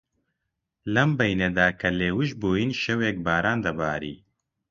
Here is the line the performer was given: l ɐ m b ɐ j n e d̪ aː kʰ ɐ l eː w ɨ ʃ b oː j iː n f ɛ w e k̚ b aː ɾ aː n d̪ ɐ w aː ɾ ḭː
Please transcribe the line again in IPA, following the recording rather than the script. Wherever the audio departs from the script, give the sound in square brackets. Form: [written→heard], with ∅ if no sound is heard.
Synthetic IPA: l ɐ m b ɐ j n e d̪ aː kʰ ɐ l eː w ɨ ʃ b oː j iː n [f→ʃ] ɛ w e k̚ b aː ɾ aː n d̪ ɐ [w→b] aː ɾ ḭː